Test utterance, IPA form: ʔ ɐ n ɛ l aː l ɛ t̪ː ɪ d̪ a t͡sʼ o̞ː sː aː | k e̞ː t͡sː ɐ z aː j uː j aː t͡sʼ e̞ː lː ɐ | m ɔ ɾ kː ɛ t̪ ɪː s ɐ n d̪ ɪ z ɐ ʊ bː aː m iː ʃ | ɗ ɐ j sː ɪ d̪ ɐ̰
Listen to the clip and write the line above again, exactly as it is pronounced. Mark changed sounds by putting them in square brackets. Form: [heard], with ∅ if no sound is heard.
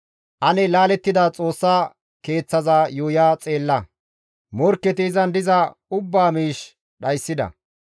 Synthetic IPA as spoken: ʔ ɐ n ɛ l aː l ɛ t̪ː ɪ d̪ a t͡sʼ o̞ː sː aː | k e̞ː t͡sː ɐ z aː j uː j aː t͡sʼ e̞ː lː ɐ | m ɔ ɾ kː ɛ t̪ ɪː [z] ɐ n d̪ ɪ z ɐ ʊ bː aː m iː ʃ | ɗ ɐ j sː ɪ d̪ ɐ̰